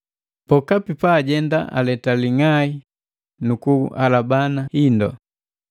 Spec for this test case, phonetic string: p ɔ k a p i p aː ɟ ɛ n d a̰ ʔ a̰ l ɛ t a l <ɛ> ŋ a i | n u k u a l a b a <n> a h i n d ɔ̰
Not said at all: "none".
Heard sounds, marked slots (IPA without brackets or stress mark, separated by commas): i, n